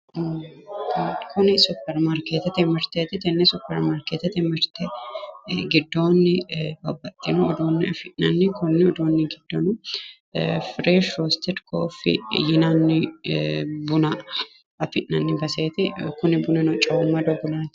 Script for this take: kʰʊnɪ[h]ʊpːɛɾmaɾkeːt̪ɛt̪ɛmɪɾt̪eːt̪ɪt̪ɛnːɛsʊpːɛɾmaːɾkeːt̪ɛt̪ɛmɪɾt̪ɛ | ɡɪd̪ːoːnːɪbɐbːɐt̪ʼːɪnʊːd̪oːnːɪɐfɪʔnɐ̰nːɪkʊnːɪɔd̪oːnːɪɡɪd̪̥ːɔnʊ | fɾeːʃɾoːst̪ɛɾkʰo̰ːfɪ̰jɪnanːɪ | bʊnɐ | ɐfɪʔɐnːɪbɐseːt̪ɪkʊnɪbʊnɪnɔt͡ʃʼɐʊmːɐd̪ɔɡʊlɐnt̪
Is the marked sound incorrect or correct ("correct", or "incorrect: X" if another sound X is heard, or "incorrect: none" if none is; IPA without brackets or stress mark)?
incorrect: s